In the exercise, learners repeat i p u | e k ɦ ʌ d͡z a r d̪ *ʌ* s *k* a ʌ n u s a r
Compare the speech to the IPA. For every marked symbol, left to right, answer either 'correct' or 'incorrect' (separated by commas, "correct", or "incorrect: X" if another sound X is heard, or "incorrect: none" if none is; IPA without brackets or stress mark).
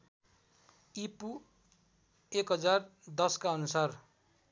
correct, correct